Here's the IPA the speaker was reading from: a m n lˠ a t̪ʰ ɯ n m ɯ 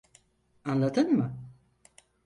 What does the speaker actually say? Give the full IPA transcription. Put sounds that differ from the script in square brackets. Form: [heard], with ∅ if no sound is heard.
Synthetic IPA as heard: a [∅] n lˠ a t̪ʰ ɯ n m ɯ